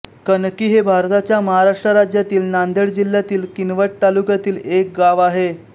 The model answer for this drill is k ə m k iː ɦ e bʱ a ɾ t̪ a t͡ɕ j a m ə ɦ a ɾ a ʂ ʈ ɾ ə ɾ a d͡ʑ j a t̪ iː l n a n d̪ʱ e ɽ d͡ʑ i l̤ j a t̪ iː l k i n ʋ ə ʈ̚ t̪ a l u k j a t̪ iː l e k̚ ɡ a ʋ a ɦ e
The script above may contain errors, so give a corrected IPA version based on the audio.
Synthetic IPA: k ə n k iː ɦ e bʱ a ɾ t̪ a t͡ɕ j a m ə ɦ a ɾ a ʂ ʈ ɾ ə ɾ a d͡ʑ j a t̪ iː l n a n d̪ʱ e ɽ d͡ʑ i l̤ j a t̪ iː l k i n ʋ ə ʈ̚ t̪ a l u k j a t̪ iː l e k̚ ɡ a ʋ a ɦ e